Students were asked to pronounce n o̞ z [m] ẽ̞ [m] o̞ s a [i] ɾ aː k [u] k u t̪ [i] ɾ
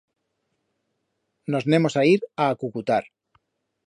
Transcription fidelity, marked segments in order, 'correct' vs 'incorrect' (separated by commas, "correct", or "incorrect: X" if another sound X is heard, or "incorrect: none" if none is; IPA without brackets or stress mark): incorrect: n, correct, correct, correct, incorrect: a